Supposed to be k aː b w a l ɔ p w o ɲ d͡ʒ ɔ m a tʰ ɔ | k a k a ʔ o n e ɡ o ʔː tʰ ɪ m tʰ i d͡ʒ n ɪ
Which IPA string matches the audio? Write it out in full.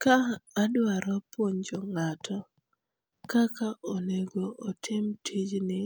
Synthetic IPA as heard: k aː d w a ɾ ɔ p w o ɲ d͡ʒ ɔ ŋ a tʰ ɔ | k a k a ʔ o n e ɡ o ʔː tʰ ɪ m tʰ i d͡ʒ n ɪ